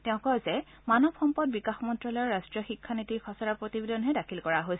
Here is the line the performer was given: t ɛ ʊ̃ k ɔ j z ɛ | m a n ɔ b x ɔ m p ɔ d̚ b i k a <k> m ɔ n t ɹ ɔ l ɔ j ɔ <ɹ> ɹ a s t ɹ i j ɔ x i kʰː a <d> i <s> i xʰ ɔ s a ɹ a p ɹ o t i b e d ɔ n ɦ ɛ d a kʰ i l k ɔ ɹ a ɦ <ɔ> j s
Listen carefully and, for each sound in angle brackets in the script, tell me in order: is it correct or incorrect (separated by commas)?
incorrect, correct, incorrect, incorrect, incorrect